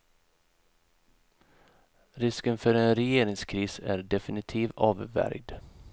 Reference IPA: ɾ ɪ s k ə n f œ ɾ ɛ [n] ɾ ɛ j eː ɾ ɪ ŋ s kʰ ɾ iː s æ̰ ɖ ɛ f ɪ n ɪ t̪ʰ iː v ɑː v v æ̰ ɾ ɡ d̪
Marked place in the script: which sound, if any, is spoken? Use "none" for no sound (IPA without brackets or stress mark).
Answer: n